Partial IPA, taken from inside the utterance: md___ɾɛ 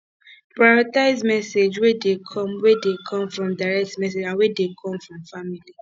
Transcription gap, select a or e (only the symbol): a